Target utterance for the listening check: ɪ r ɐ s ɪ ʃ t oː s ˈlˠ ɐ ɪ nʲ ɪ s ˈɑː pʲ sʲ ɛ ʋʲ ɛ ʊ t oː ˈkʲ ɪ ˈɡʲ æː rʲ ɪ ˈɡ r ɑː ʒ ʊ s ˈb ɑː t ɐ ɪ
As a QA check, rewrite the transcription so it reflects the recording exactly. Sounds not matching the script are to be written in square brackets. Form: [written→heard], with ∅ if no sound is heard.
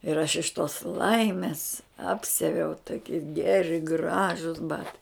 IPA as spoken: ɪ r ɐ [s→ʃ] ɪ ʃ t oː s ˈlˠ ɐ ɪ [nʲ→mʲ] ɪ s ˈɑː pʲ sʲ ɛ ʋʲ ɛ ʊ t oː ˈkʲ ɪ ˈɡʲ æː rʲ ɪ ˈɡ r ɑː ʒ ʊ s ˈb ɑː t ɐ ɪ